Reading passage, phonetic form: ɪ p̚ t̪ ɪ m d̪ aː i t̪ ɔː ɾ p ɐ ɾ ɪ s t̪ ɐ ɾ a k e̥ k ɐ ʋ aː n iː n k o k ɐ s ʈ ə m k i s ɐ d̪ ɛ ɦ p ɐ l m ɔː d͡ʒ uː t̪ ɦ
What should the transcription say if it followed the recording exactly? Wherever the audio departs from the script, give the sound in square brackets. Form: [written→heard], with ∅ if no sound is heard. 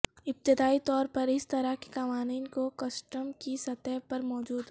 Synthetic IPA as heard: ɪ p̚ t̪ ɪ [m→∅] d̪ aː i t̪ ɔː ɾ p ɐ ɾ ɪ s t̪ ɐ ɾ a k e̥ k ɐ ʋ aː n iː n k o k ɐ s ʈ ə m k i s ɐ [d̪→t̪] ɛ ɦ p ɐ [l→ɾ] m ɔː d͡ʒ uː [t̪→d̪] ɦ